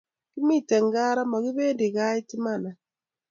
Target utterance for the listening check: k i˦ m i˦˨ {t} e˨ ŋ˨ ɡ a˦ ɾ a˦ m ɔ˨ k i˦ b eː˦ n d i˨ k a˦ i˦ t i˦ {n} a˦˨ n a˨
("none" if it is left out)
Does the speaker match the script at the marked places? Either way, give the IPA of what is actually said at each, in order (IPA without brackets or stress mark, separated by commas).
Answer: t, m